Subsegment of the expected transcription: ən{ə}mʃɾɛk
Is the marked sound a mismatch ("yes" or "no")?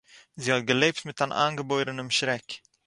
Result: no